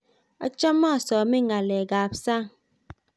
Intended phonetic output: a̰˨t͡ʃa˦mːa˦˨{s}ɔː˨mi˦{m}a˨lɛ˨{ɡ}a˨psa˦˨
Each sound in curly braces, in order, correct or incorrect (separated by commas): correct, incorrect, correct